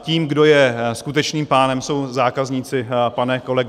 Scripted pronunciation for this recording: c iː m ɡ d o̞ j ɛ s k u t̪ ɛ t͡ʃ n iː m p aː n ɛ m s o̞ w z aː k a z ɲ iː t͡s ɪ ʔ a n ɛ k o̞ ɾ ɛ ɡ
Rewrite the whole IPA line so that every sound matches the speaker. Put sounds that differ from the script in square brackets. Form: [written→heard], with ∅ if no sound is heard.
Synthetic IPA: c iː m ɡ d o̞ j ɛ s k u t̪ ɛ t͡ʃ n iː m p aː n ɛ m s o̞ w z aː k a z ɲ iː t͡s ɪ [ʔ→p] a n ɛ k o̞ [ɾ→l] ɛ ɡ